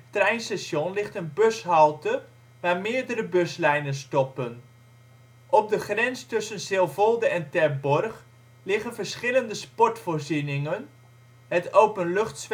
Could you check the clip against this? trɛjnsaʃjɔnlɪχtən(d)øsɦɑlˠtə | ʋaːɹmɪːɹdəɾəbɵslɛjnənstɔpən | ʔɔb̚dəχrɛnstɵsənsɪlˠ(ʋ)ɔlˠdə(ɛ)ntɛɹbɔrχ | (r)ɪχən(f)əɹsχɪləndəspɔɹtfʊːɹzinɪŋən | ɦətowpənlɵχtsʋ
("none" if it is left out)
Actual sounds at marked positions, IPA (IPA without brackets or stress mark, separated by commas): b, v, ɛ, l, v